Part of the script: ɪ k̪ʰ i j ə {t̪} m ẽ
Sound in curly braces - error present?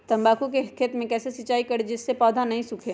no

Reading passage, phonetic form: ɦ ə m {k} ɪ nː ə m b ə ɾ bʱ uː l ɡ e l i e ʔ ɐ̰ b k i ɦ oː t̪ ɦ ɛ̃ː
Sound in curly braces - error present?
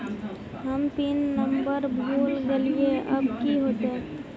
yes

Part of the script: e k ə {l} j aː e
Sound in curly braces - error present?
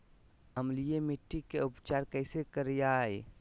yes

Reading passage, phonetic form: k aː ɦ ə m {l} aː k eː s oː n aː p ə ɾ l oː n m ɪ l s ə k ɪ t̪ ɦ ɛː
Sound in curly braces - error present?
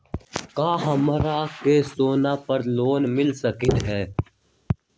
yes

